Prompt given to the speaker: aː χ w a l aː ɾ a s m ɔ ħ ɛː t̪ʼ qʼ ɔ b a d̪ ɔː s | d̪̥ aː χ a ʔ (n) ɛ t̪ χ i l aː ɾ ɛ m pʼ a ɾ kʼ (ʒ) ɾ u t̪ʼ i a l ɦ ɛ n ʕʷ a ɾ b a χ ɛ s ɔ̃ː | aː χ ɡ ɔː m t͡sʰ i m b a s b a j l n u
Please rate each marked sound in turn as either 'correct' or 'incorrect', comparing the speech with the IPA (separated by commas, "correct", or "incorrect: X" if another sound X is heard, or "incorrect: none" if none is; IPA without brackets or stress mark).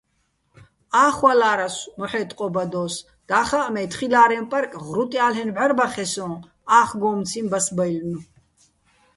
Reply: incorrect: m, incorrect: ʁ